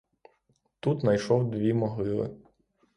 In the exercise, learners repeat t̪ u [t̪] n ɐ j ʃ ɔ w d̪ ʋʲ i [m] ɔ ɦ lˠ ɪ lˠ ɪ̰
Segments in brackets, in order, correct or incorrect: correct, correct

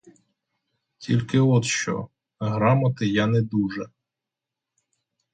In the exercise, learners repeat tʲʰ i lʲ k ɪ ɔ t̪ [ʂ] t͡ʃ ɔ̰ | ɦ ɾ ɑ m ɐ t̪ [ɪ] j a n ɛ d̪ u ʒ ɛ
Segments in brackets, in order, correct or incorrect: incorrect, correct

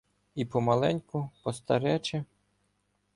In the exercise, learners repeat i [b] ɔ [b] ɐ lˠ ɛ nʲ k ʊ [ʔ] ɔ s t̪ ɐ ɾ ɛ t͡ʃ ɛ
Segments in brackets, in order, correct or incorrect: incorrect, incorrect, incorrect

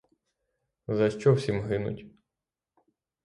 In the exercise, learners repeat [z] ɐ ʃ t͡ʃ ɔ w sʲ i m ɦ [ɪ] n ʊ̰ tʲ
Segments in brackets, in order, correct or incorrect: correct, correct

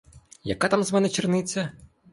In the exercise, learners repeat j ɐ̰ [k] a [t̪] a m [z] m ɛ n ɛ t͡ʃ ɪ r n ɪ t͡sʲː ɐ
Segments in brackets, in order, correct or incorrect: correct, correct, correct

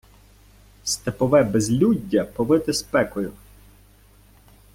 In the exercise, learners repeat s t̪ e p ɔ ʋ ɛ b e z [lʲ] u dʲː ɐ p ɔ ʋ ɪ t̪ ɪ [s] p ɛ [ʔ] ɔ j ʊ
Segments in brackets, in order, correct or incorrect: correct, correct, incorrect

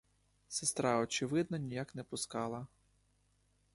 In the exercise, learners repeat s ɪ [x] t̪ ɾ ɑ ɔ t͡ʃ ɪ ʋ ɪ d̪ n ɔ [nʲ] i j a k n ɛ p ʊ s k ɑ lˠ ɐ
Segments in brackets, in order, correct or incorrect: incorrect, correct

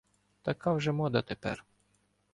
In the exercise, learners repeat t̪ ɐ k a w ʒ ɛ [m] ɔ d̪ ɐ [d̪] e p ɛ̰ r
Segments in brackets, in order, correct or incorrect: correct, incorrect

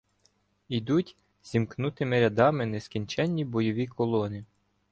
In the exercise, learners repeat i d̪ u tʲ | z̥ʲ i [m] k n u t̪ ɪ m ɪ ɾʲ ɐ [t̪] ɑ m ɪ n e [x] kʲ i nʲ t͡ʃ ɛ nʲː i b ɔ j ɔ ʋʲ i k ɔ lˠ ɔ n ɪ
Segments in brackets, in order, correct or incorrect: correct, incorrect, incorrect

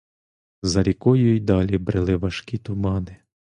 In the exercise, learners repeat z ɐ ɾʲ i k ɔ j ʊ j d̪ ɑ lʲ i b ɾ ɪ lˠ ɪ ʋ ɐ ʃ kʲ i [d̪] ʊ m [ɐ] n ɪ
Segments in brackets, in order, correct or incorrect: incorrect, incorrect

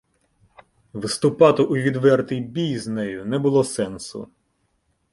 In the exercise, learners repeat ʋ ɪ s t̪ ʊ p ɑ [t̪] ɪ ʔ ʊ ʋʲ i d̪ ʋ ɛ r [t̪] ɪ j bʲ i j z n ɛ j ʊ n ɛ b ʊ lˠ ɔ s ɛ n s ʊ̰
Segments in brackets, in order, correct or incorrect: correct, correct

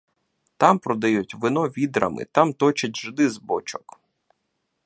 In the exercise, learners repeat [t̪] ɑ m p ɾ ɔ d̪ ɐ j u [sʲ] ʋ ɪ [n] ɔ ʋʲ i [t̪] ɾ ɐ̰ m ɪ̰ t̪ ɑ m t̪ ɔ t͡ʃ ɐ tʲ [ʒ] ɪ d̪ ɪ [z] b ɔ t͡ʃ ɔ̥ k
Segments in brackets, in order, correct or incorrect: correct, incorrect, correct, incorrect, correct, correct

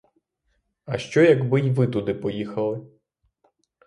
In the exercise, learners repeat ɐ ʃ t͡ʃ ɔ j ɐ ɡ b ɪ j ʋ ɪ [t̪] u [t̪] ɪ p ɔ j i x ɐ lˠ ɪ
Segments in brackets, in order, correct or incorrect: correct, incorrect

